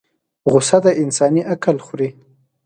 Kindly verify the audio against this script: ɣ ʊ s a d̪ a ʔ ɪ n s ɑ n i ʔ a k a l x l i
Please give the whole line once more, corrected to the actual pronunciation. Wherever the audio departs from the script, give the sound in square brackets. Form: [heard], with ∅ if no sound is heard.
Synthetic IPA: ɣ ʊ s a d̪ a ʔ ɪ n s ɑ n i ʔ a k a l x [ɾ] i